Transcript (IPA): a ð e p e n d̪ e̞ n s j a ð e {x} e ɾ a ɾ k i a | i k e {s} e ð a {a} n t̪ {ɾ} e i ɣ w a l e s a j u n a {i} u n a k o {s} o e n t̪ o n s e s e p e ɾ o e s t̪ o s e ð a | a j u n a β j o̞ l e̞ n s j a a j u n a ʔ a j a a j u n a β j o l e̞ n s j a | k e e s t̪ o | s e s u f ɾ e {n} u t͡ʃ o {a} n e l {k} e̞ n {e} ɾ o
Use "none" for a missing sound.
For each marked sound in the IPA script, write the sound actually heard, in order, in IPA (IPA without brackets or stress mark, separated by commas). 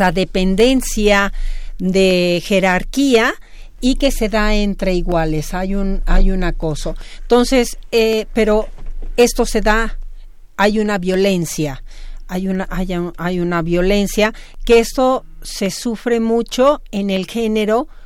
x, s, e, ɾ, j, s, m, e, x, e